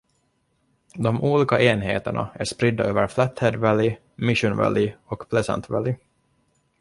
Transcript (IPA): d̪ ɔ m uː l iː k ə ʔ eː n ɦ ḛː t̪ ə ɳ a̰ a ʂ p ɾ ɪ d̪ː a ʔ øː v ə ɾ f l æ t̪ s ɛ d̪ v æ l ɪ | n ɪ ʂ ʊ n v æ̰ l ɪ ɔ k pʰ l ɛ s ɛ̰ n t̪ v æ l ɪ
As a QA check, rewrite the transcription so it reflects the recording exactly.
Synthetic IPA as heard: d̪ ɔ m uː l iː k a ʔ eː n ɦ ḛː t̪ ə ɳ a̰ æ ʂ p ɾ ɪ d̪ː a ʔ øː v ə ɾ f l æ t̪ h ɛ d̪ v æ l ɪ | m ɪ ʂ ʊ n v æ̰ l ɪ ɔ k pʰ l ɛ s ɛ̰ n t̪ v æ l ɪ